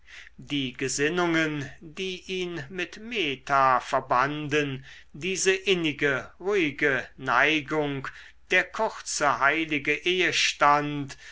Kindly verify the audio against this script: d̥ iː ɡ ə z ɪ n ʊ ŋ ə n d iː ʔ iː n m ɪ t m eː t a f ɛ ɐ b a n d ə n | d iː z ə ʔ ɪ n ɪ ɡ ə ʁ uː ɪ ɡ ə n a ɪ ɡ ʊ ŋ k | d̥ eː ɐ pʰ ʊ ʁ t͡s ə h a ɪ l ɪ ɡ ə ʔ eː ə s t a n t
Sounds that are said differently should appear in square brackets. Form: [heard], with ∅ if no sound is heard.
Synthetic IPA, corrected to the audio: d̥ iː ɡ ə z ɪ n ʊ ŋ ə n d iː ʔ iː n m ɪ t m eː t a f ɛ ɐ b a n d ə n | d iː z ə ʔ ɪ n ɪ ɡ ə ʁ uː ɪ ɡ ə n a ɪ ɡ ʊ ŋ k | d̥ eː ɐ [kʰ] ʊ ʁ t͡s ə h a ɪ l ɪ ɡ ə ʔ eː ə [ʃ] t a n t